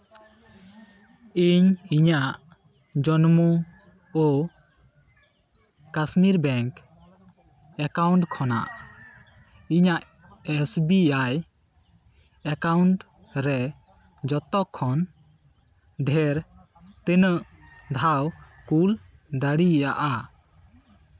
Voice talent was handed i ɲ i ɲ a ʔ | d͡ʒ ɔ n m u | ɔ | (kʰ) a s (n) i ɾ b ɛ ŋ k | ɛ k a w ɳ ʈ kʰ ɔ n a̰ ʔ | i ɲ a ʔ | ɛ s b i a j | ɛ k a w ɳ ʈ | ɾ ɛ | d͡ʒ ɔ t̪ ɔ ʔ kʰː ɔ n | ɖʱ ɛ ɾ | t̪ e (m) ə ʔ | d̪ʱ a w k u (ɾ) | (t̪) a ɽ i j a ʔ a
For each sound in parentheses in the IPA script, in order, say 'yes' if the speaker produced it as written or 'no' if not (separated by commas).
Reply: no, no, no, no, no